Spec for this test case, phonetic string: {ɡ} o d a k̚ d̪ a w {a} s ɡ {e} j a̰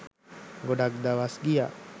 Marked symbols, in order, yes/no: yes, yes, no

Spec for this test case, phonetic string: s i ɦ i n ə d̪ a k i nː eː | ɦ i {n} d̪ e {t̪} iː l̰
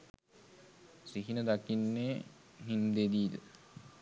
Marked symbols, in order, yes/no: yes, no

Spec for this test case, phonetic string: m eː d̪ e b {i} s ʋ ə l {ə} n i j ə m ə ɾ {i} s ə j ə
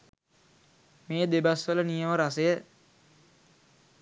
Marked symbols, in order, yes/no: no, yes, no

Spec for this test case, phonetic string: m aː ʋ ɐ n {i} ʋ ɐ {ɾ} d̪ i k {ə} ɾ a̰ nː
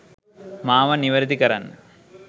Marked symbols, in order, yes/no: yes, yes, no

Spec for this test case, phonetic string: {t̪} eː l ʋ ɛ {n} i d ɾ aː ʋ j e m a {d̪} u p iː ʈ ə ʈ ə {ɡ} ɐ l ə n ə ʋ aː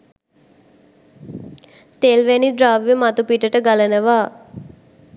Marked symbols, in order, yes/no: yes, yes, no, yes

